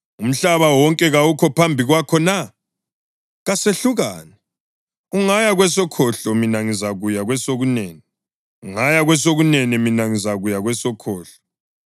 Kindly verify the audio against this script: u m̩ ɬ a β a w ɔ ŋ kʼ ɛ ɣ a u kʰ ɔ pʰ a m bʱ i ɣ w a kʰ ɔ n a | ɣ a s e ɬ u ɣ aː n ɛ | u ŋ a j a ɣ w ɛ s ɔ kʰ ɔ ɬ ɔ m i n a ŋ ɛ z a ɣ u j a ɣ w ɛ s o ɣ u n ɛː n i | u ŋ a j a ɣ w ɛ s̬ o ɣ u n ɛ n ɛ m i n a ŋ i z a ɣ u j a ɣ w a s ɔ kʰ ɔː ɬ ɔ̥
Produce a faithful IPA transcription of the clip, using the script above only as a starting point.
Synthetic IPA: u m̩ ɬ a β a w ɔ ŋ kʼ ɛ ɣ a u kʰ ɔ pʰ a m bʱ i ɣ w a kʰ ɔ n a | ɣ a s e ɬ u ɣ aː n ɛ | u ŋ a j a ɣ w ɛ s ɔ kʰ ɔ ɬ ɔ m i n a ŋ i z a ɣ u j a ɣ w ɛ s o ɣ u n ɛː n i | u ŋ a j a ɣ w ɛ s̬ o ɣ u n ɛ n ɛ m i n a ŋ i z a ɣ u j a ɣ w ɛ s ɔ kʰ ɔː ɬ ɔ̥